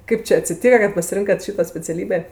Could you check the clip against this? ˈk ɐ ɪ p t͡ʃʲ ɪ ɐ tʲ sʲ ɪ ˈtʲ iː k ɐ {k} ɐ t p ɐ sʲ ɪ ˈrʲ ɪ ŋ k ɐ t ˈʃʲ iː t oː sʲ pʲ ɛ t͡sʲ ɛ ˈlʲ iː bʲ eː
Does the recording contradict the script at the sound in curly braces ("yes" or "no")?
no